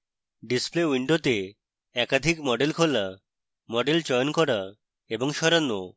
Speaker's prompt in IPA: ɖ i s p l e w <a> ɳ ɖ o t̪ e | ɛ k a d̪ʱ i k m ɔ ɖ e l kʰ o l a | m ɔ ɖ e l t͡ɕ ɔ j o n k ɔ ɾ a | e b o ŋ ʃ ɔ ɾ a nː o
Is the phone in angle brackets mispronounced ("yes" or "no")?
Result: yes